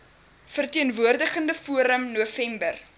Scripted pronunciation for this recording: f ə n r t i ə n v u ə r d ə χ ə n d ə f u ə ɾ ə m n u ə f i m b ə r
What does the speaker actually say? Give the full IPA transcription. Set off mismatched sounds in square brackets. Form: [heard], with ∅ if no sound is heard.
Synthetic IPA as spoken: f ə [∅] r t i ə n v u ə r d ə χ ə n d ə f u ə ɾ ə m n u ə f [ɛ] m b ə r